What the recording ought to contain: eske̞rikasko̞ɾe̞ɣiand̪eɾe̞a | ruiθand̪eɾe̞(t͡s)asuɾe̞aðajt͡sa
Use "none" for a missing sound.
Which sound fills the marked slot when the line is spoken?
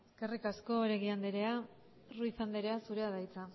none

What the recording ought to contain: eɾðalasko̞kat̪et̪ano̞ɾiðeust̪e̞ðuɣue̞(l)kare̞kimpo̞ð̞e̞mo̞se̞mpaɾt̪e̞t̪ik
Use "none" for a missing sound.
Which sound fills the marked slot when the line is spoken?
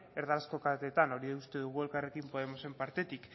l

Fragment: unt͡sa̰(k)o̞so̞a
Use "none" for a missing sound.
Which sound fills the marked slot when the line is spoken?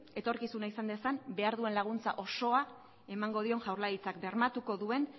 ʔ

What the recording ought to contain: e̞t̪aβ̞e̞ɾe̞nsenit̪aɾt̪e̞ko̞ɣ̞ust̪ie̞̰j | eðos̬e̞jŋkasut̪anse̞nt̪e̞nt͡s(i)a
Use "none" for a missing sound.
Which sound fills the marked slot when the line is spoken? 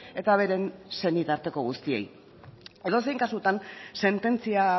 i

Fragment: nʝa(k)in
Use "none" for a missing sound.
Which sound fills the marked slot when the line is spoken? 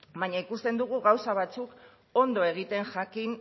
k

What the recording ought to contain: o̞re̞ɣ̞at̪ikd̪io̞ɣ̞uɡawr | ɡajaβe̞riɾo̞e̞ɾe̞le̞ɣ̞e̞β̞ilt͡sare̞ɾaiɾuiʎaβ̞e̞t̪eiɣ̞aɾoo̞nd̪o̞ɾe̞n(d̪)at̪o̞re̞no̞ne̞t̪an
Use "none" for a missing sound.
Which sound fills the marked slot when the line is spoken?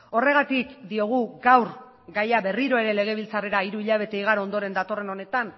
d̪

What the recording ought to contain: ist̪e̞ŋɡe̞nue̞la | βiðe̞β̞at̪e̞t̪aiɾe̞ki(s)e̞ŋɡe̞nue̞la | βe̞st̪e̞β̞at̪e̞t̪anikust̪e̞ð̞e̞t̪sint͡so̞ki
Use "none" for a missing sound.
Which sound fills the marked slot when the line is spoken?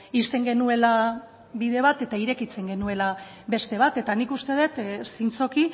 t͡s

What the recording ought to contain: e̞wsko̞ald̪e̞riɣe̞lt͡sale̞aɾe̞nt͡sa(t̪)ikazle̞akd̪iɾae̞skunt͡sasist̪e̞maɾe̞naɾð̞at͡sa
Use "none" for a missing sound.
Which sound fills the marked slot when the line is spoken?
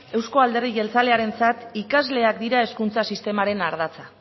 t̪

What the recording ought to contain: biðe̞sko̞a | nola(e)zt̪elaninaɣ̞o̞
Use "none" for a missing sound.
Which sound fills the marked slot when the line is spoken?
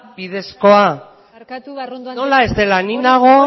e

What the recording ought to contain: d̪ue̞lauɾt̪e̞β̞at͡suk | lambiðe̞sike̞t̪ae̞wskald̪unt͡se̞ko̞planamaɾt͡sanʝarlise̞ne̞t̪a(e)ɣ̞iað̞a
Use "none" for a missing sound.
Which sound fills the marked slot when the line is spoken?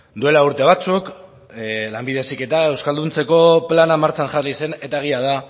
e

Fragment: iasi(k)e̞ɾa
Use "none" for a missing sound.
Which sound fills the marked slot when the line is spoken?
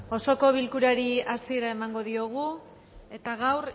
none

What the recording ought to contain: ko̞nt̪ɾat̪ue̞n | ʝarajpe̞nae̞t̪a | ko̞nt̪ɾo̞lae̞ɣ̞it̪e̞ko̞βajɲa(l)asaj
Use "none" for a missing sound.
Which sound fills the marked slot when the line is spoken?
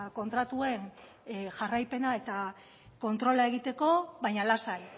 l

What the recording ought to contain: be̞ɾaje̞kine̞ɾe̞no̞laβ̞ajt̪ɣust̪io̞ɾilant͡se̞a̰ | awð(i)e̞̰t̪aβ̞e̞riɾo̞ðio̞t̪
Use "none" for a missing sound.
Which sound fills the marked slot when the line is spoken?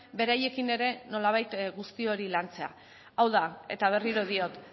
a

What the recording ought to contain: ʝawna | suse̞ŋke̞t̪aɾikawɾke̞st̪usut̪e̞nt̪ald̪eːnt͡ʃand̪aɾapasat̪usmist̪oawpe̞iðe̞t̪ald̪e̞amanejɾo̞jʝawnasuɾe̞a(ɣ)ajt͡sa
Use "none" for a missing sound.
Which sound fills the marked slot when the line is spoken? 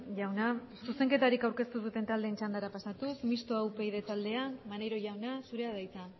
ð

